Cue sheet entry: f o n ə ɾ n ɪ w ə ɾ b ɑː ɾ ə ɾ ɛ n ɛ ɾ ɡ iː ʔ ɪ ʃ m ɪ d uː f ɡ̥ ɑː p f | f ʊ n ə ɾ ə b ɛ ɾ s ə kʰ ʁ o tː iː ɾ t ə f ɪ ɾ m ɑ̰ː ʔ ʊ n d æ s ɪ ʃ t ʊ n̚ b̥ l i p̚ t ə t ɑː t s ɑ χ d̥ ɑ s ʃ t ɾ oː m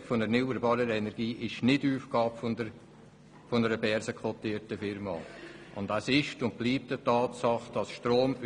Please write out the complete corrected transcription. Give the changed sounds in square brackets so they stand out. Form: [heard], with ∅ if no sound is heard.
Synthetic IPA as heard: f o n ə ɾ n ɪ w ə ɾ b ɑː ɾ ə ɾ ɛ n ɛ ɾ ɡ iː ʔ ɪ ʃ [n] ɪ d uː f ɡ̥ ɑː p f | f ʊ n ə ɾ ə b ɛ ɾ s ə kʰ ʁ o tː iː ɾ t ə f ɪ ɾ m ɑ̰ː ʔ ʊ n d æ s ɪ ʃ t ʊ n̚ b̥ l [iː] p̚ t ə t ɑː t s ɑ χ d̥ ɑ s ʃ t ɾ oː m

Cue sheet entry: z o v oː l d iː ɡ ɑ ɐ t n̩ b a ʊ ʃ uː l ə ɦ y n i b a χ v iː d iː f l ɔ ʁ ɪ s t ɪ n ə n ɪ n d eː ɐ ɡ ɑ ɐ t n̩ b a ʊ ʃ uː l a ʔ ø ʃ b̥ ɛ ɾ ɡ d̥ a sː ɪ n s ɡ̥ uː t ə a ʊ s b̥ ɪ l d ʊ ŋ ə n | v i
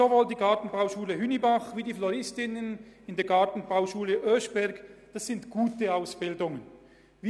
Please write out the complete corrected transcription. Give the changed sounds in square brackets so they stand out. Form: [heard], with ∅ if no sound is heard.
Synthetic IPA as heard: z o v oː l d iː ɡ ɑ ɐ t n̩ b a ʊ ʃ uː l ə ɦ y n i b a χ v iː d iː f l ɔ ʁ ɪ s t ɪ n ə n ɪ n d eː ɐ ɡ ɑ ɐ t n̩ b a ʊ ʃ uː l [ə] ʔ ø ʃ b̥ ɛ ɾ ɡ d̥ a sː ɪ n [t] ɡ̥ uː t ə a ʊ s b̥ ɪ l d ʊ ŋ ə n | v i

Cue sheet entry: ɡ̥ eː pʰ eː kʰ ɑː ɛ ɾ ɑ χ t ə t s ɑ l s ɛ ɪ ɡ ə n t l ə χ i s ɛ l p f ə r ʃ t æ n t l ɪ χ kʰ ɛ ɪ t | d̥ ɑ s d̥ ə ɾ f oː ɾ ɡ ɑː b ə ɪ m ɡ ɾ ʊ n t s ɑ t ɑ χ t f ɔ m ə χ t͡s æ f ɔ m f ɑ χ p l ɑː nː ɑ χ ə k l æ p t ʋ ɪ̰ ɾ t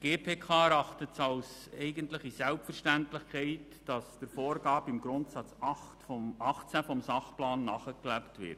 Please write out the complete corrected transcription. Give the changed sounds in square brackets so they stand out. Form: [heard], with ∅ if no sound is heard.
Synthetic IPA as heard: ɡ̥ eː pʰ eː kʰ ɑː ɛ ɾ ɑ χ t ə t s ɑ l s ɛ ɪ ɡ ə n t l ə χ i s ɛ l p f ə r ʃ t æ n t l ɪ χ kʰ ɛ ɪ t | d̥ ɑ s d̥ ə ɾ f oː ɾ ɡ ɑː b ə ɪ m ɡ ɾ ʊ n t s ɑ [t͡s] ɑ χ t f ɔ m [ɑ] χ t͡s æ f ɔ m [s] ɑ χ p l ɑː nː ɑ χ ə k l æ p t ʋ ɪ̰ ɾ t

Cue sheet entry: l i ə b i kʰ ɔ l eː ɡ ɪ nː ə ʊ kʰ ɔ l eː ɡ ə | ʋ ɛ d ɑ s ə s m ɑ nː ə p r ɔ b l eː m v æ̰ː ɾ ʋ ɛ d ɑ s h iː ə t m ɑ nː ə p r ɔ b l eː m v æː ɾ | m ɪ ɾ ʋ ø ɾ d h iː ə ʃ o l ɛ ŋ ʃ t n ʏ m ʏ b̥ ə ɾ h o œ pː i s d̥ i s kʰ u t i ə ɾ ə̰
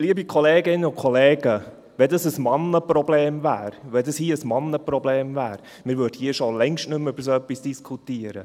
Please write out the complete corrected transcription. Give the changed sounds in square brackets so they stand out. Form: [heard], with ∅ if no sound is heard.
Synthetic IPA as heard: l i ə b i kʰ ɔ l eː ɡ ɪ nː ə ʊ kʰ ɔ l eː ɡ ə | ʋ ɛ d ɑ s ə s m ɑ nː ə p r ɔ b l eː m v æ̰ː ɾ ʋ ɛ d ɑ s h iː ə [s] m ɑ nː ə p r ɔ b l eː m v æː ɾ | m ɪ ɾ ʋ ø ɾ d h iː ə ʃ o l ɛ ŋ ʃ t n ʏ m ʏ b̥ ə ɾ [s] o œ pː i s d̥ i s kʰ u t i ə ɾ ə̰

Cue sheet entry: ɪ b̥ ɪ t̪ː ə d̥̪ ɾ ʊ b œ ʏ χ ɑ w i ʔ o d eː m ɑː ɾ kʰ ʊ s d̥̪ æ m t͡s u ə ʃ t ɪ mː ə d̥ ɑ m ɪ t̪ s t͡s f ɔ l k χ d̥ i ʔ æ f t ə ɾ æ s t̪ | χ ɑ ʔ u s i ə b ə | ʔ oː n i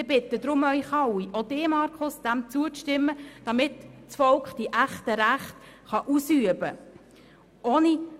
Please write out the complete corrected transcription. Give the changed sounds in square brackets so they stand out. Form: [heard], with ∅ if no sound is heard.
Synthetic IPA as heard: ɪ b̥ ɪ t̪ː ə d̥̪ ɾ ʊ [m] œ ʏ χ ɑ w i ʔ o d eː m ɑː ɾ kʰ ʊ s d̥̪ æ m t͡s u ə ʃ t ɪ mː ə d̥ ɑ m ɪ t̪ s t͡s f ɔ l k χ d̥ i ʔ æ [χ] t ə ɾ æ [χ] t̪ | χ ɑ ʔ u s [y] ə b ə | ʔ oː n i

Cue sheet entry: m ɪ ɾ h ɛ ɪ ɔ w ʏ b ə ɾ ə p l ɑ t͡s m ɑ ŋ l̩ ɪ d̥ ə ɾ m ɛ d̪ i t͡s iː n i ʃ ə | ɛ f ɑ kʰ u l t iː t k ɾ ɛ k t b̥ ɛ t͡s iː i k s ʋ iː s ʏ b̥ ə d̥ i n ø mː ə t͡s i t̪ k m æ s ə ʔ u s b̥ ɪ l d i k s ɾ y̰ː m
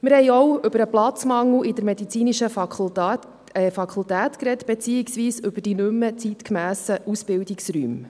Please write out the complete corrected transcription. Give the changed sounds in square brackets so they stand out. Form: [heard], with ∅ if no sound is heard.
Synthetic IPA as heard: m ɪ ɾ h ɛ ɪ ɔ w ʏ b ə ɾ ə p l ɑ t͡s m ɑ ŋ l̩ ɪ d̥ ə ɾ m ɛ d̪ i t͡s iː n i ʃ ə | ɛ f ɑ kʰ u l t [æː] t k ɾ ɛ [∅] t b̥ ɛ t͡s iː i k s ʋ iː s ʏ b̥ ə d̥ i n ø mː ə t͡s i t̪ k m [æː] s ə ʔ u s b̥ ɪ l d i k s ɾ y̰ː m

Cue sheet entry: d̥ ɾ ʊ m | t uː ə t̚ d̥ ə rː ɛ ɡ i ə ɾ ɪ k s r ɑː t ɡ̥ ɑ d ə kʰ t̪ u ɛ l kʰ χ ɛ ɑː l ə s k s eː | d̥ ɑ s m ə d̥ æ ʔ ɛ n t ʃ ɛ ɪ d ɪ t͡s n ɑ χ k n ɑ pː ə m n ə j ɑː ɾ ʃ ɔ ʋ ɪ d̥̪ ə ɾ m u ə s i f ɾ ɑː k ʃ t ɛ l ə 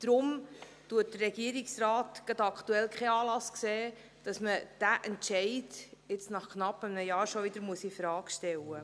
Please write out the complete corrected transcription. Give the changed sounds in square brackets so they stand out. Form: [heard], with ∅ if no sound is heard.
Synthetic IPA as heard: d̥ ɾ ʊ m | t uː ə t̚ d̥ ə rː ɛ ɡ i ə ɾ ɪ k s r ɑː t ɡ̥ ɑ d [ɑ] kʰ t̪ u ɛ l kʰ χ ɛ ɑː l [ɑ] s k s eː | d̥ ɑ s m ə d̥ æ ʔ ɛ n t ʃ ɛ ɪ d ɪ t͡s n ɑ χ k n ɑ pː ə m n ə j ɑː ɾ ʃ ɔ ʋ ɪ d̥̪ ə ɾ m u ə s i f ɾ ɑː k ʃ t ɛ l ə

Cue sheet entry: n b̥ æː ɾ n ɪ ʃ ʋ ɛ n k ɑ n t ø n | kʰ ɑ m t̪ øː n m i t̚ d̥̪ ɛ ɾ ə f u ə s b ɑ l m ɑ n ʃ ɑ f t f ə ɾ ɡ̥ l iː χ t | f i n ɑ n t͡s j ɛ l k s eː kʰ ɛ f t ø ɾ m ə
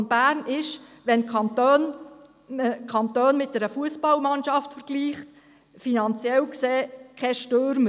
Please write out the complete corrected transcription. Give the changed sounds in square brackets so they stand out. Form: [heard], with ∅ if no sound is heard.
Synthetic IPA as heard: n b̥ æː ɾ n ɪ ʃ ʋ ɛ n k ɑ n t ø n | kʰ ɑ [n] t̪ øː n m [ɪ] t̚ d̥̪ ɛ ɾ ə f u ə s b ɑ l m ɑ n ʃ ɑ f t f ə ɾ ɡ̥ l iː χ t | f i n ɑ n t͡s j ɛ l k s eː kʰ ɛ [ʃ] t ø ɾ m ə

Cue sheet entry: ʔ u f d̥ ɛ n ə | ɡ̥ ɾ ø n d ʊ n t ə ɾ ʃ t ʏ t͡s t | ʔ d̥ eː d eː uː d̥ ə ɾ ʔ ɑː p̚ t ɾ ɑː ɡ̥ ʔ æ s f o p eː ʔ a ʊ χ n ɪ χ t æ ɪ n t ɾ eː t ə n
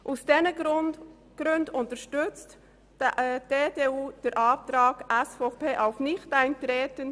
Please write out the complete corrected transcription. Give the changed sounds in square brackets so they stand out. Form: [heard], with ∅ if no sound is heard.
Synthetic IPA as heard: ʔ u [s] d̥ ɛ n ə | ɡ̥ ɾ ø n d ʊ n t ə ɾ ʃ t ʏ t͡s t | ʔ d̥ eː d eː uː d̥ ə ɾ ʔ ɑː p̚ t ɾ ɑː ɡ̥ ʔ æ s f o p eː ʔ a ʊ [f] n ɪ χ t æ ɪ n t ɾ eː t ə n

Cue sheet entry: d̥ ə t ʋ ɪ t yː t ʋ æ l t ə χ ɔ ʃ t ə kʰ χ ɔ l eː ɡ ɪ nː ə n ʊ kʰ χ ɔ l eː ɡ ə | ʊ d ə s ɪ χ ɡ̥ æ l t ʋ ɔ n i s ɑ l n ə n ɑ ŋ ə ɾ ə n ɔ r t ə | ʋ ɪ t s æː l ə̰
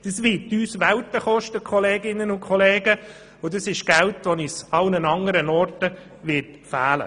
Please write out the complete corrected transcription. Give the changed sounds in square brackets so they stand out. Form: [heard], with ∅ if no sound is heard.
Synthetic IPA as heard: d̥ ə [s] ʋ ɪ t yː [s] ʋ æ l t ə χ ɔ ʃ t ə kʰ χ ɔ l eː ɡ ɪ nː ə n ʊ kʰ χ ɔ l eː ɡ ə | ʊ d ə s ɪ [ʃ] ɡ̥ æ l t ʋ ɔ n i s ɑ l n ə n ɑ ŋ ə ɾ ə n ɔ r t ə | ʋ ɪ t [f] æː l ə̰

